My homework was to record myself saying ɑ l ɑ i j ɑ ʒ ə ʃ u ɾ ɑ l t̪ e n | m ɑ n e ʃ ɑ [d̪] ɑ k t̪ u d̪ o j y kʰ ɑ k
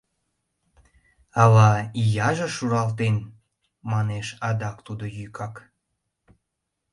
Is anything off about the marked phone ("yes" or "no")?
no